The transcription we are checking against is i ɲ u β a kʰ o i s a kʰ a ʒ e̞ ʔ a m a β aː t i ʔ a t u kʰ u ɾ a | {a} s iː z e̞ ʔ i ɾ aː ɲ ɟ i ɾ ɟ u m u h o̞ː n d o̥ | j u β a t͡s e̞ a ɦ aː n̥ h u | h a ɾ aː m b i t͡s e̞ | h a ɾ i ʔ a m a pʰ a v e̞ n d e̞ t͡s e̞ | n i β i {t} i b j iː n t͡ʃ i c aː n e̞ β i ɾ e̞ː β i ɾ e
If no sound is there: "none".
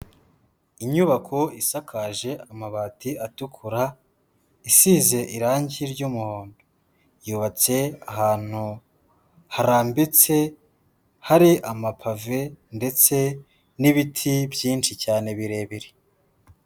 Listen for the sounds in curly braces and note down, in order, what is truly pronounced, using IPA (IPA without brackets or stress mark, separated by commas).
i, tʰ